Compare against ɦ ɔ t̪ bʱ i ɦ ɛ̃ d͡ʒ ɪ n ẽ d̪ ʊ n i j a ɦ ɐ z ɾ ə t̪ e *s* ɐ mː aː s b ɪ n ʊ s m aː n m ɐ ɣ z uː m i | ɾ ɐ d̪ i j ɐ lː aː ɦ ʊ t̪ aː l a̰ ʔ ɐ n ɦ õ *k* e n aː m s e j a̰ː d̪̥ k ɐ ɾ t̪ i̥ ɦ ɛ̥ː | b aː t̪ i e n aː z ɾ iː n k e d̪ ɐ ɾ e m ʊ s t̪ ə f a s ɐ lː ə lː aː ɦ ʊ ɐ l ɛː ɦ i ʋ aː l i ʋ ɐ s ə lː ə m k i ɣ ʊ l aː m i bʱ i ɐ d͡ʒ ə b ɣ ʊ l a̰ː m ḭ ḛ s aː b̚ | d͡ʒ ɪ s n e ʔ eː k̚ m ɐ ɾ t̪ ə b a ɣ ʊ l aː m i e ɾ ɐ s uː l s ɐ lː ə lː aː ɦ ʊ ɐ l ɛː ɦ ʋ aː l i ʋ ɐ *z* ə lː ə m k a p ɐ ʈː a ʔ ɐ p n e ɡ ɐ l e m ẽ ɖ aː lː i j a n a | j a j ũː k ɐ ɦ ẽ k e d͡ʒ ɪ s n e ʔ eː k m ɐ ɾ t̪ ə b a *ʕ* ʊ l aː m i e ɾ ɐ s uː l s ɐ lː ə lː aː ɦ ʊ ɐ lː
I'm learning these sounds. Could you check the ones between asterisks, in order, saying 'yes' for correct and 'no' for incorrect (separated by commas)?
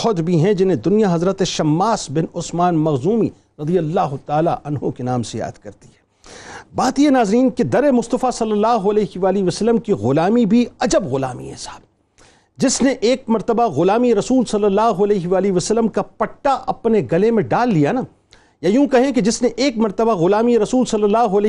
no, yes, no, no